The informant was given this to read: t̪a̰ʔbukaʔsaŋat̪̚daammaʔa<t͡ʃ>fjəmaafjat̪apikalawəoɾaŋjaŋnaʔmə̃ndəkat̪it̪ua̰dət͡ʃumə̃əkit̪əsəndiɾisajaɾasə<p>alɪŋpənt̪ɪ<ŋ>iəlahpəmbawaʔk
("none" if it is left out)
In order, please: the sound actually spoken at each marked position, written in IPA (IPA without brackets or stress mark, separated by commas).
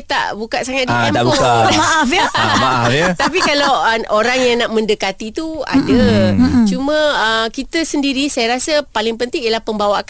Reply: none, p, ŋ